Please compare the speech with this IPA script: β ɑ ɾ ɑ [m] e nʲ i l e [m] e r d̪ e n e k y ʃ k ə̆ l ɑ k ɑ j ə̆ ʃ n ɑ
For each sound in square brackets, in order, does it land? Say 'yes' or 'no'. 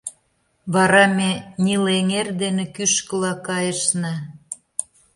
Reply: yes, no

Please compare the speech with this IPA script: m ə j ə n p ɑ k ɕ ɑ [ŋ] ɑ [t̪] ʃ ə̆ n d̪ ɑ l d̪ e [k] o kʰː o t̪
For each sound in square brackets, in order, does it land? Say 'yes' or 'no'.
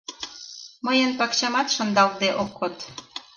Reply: no, yes, no

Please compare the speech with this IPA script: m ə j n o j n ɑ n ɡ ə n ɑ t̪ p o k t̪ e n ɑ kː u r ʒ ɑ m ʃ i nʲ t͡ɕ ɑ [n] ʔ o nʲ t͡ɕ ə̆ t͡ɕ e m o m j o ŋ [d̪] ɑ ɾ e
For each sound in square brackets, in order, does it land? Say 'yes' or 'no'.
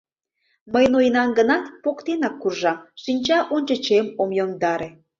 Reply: no, yes

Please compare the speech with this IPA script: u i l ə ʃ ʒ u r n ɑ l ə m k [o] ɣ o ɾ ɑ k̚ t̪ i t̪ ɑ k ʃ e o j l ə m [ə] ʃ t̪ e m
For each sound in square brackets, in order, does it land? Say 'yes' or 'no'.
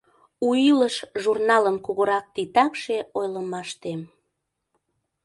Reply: no, no

